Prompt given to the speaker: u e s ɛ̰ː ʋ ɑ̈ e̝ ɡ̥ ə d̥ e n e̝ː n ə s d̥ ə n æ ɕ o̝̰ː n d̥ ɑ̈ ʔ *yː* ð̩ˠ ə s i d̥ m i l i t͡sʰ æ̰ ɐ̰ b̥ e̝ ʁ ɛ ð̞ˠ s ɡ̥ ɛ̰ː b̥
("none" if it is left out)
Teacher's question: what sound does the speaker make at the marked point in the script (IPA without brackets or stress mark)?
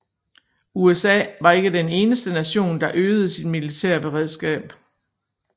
øː